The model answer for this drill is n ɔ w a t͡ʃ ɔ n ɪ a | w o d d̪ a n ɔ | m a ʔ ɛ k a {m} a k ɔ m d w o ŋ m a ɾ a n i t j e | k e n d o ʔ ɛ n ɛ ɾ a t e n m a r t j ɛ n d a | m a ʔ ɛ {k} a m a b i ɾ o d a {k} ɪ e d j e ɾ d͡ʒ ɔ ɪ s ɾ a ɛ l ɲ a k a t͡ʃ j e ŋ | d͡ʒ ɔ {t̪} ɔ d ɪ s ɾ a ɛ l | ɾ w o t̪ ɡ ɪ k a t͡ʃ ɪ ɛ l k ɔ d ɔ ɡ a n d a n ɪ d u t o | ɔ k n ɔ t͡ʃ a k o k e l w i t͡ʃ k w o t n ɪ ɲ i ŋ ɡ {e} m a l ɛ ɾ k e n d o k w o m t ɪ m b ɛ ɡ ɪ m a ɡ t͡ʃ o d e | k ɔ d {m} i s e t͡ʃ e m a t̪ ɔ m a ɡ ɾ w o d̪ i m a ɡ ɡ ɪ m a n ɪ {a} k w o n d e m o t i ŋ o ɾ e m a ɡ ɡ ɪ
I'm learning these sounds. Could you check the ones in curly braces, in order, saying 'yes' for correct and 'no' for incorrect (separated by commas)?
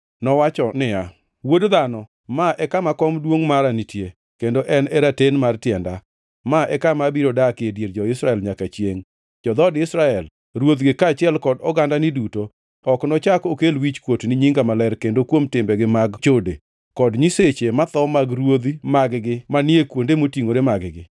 yes, yes, yes, no, no, no, no